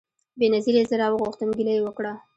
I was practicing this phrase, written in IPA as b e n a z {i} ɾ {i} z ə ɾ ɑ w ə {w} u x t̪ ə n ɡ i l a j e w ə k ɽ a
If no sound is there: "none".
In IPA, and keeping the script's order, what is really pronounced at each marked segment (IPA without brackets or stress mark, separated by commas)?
i, e, ɣ